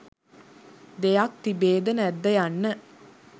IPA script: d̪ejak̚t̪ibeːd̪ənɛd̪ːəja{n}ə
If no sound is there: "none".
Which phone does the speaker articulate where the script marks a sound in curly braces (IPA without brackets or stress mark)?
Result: nː